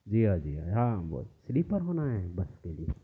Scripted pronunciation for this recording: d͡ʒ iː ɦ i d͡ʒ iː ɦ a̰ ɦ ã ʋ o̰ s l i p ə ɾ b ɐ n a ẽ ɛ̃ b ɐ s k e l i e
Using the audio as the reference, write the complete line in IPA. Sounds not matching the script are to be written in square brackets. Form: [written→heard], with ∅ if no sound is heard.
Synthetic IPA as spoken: d͡ʒ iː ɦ [i→a] d͡ʒ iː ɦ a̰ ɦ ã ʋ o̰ s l i p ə ɾ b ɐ n a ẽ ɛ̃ b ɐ s k e l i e